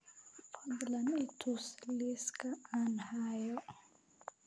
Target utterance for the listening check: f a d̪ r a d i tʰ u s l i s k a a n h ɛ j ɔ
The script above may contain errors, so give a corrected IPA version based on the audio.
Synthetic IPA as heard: f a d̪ l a n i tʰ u s l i s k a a n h a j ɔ